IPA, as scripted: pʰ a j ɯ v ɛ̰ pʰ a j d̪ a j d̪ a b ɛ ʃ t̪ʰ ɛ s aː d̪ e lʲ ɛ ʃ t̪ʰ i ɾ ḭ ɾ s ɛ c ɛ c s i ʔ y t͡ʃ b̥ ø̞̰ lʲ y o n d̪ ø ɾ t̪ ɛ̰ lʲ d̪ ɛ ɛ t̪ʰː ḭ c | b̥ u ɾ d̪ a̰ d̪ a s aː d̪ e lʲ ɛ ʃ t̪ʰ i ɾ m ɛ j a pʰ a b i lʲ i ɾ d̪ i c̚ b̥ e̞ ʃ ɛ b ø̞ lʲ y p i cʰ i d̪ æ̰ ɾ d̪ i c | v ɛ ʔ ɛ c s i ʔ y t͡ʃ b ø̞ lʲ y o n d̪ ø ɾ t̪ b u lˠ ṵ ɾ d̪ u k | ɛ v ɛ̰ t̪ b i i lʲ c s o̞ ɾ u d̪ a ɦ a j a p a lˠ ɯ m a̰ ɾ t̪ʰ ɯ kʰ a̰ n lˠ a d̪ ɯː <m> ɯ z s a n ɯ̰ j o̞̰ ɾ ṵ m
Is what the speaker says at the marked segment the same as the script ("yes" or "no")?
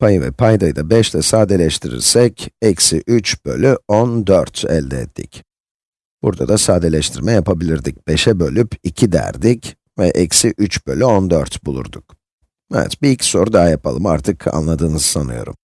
no